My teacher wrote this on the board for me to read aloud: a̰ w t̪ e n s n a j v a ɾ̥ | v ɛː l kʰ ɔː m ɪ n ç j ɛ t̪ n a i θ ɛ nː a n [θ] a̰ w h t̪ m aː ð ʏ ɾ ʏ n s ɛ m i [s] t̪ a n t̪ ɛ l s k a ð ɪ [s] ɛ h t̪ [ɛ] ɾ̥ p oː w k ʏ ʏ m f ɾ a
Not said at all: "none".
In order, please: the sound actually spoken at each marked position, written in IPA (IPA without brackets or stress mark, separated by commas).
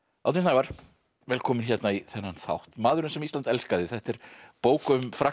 θ, s, θ, ɛ